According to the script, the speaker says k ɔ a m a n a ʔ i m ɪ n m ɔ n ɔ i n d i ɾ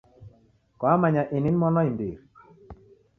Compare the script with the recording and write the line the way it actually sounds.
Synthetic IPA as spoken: k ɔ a m a ɲ a ʔ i n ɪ n m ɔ n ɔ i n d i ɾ